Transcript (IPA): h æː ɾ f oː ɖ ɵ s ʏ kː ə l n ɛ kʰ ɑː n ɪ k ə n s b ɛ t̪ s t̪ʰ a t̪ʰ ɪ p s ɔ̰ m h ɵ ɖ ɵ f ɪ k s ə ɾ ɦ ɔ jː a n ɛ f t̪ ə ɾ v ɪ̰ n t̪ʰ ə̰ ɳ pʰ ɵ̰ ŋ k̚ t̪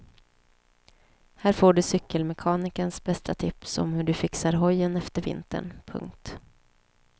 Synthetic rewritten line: h æː ɾ f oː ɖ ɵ s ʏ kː ə l m ɛ kʰ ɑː n ɪ k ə n s b ɛ s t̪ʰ a t̪ʰ ɪ p s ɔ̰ m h ɵ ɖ ɵ f ɪ k s a ɾ ɦ ɔ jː ə n ɛ f t̪ ə ɾ v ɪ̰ n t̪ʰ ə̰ ɳ pʰ ɵ̰ ŋ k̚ t̪